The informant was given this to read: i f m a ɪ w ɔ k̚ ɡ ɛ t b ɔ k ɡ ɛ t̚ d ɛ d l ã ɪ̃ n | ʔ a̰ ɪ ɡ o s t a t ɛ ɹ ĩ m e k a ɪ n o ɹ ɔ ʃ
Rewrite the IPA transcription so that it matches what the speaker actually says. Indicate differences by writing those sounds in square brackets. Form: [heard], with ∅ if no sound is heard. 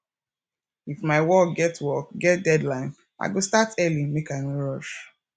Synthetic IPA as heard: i f m a ɪ w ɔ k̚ ɡ ɛ t [w] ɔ k ɡ ɛ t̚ d ɛ d l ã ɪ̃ n | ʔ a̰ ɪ ɡ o s t a t ɛ [l] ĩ m e k a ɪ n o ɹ ɔ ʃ